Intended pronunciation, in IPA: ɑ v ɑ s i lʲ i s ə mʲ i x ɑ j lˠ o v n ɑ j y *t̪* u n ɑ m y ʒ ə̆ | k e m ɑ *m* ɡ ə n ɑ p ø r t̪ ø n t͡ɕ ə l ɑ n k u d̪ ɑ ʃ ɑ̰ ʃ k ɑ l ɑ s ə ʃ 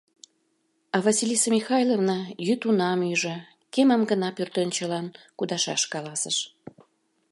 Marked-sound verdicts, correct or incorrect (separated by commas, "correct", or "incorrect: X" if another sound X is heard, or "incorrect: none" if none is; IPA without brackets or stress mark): correct, correct